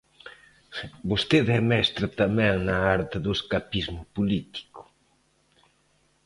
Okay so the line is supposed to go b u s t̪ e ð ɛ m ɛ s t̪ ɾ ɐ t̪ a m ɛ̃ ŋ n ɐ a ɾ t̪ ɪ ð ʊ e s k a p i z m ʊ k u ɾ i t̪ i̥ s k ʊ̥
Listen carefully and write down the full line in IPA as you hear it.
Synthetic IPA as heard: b o s t̪ e ð ɛ m ɛ s t̪ ɾ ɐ t̪ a m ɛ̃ ŋ n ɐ a ɾ t̪ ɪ ð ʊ e s k a p i z m ʊ p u l i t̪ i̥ k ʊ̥